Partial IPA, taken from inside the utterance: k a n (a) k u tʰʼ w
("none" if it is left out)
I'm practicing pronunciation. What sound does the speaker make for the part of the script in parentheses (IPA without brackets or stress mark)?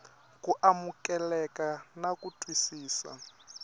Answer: a